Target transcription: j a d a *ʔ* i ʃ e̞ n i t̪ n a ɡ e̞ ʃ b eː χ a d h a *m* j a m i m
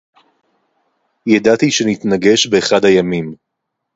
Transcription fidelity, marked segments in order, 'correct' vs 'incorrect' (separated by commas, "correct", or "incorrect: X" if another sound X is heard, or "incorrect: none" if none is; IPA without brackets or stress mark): incorrect: t, incorrect: none